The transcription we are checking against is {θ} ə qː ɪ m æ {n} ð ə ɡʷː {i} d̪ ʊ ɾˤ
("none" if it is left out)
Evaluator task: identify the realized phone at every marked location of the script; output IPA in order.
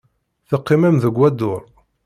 θ, m, æ

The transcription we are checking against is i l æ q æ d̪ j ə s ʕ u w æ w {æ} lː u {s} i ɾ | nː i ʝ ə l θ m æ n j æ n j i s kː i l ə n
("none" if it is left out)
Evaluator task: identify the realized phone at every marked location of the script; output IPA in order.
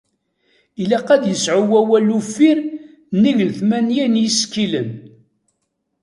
æ, f

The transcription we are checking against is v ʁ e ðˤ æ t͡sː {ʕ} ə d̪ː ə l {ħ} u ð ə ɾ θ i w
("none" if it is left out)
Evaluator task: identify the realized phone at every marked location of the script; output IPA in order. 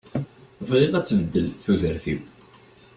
v, θ

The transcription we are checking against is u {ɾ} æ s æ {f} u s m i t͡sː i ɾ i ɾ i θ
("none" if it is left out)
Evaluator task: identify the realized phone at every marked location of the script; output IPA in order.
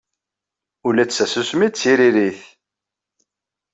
l, s

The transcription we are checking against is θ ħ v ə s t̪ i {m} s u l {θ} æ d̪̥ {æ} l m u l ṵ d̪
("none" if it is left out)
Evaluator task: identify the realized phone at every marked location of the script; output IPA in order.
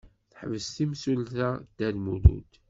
m, θ, æ

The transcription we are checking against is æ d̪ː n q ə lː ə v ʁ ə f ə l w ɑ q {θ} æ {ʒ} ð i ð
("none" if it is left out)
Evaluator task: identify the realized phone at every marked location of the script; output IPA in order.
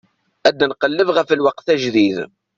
θ, ʒ

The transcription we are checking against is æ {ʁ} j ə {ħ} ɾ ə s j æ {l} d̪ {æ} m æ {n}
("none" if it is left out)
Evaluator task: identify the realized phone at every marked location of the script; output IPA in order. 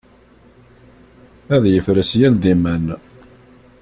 ð, f, l, i, n

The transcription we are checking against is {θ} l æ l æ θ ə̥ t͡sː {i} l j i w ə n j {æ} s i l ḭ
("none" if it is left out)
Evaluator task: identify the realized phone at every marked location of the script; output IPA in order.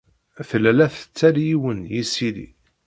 θ, æ, i

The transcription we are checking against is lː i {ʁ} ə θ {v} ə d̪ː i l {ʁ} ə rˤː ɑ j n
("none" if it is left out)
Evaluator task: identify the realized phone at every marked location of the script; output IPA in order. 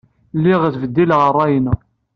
ʁ, v, ʁ

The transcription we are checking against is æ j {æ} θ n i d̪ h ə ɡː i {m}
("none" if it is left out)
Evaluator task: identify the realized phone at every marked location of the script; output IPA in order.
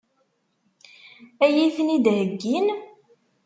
i, n

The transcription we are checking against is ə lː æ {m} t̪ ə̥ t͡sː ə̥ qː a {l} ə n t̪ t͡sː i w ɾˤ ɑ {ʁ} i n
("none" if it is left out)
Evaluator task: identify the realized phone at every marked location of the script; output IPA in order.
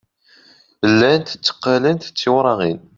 n, l, ʁ

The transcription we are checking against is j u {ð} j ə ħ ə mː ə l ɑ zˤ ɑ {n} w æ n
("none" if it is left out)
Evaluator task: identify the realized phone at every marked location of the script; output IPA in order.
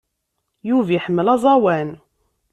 v, none

